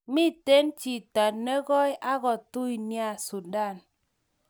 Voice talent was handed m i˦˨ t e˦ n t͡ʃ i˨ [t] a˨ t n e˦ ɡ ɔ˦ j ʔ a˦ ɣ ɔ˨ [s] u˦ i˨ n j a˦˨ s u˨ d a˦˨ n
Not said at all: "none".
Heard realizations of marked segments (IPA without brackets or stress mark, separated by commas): t, t